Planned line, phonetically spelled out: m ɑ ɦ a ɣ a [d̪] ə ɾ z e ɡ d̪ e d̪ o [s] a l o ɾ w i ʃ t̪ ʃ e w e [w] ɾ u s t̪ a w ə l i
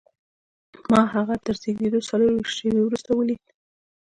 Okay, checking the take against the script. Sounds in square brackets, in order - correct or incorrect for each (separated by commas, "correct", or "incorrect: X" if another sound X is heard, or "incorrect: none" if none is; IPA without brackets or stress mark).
incorrect: t̪, correct, correct